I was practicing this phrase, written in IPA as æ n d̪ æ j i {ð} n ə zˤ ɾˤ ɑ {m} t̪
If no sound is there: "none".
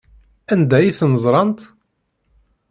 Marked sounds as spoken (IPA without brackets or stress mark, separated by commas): θ, n